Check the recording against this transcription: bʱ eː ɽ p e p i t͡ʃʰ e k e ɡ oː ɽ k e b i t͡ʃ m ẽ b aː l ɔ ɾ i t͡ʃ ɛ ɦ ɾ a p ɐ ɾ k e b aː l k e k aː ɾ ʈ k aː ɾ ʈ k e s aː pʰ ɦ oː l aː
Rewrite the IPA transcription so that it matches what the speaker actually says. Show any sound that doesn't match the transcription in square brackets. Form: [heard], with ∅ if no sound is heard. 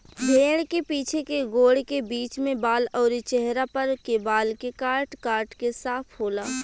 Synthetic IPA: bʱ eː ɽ [k] e p [iː] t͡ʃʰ e k e ɡ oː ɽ k e b [iː] t͡ʃ m ẽ b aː l [ɔː] ɾ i t͡ʃ ɛ ɦ ɾ a p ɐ ɾ k e b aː l k e k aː ɾ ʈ k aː ɾ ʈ k e s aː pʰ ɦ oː l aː